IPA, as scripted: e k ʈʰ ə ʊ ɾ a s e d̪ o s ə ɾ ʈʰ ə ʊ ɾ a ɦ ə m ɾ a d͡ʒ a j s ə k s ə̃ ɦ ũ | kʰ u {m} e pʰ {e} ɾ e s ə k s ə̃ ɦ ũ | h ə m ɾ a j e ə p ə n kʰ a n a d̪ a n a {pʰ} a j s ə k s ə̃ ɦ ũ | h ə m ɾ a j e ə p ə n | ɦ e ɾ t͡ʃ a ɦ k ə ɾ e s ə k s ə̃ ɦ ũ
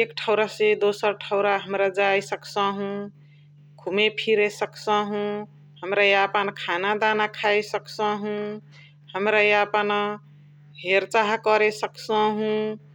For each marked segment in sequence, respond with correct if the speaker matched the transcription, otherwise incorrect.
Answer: correct, incorrect: i, incorrect: kʰ

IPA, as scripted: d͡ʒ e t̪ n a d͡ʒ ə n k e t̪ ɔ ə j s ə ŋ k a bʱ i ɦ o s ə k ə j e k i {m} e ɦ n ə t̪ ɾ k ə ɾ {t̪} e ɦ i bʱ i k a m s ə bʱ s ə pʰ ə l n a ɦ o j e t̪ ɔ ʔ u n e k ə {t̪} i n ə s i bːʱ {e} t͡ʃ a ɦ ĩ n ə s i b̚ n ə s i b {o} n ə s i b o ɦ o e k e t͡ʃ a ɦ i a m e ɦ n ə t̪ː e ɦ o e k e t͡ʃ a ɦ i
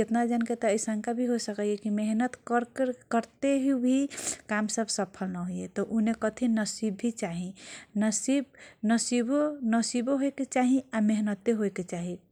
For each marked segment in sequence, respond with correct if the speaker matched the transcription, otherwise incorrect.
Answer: correct, correct, incorrect: t̪ʰ, incorrect: i, correct

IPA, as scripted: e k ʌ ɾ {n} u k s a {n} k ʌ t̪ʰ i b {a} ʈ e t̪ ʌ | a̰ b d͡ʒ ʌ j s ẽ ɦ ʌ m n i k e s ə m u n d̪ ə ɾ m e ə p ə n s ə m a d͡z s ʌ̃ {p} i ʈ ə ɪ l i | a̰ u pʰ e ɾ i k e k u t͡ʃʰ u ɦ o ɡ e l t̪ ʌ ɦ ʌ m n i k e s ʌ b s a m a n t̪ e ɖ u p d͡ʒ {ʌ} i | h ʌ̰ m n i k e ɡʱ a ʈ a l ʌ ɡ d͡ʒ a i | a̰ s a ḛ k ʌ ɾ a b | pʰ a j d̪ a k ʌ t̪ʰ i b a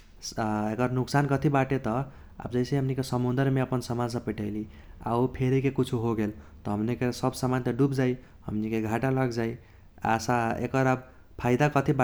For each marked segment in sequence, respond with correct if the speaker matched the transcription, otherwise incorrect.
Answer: correct, correct, correct, correct, incorrect: a

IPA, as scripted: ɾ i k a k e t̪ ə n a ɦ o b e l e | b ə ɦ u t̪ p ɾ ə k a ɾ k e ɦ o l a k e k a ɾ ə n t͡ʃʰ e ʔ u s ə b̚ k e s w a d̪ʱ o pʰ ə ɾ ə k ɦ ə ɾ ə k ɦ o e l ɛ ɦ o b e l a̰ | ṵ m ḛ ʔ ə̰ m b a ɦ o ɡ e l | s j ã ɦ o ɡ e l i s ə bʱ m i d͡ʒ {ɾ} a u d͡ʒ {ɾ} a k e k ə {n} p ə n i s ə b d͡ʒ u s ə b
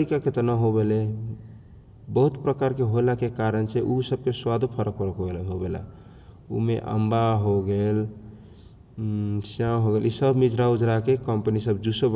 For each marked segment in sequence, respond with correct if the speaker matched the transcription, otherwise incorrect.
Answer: correct, correct, incorrect: m

